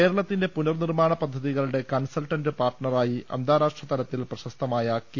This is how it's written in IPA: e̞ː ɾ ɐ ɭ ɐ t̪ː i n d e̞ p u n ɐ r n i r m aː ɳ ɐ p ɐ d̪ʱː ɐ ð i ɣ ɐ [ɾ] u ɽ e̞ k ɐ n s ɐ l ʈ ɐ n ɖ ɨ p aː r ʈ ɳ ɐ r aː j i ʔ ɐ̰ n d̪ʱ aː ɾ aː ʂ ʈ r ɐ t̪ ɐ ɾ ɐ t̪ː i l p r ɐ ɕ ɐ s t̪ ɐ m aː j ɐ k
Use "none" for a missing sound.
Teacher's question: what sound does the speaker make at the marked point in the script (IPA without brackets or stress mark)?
ɭ